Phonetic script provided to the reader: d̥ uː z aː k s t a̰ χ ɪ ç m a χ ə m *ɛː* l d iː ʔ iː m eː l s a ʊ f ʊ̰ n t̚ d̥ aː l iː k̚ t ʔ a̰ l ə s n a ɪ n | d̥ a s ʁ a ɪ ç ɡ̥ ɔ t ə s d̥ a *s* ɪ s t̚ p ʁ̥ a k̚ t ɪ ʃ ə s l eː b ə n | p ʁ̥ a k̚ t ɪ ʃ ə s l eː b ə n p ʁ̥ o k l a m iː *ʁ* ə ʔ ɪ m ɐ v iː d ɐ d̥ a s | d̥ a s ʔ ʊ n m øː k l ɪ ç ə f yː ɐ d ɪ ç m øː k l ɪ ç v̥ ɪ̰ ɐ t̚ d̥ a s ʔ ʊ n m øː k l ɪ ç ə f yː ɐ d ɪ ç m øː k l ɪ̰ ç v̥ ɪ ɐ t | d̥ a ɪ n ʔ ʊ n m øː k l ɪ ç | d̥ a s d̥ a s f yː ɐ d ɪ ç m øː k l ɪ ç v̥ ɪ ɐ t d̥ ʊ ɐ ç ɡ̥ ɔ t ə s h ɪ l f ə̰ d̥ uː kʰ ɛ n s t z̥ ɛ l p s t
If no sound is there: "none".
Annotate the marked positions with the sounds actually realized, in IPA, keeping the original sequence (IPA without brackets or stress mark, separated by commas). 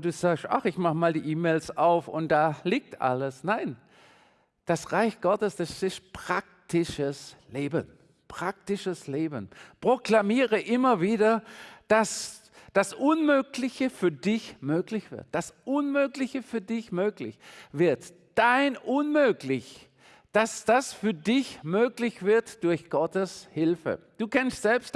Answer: aː, s, ʁ